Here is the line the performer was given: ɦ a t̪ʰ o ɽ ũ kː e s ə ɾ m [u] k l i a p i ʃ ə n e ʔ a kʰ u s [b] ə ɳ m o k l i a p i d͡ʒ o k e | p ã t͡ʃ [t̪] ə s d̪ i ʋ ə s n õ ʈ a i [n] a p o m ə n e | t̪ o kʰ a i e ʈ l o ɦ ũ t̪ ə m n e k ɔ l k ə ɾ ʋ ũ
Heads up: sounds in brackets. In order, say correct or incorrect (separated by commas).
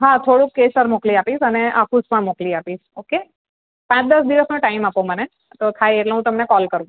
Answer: incorrect, incorrect, incorrect, incorrect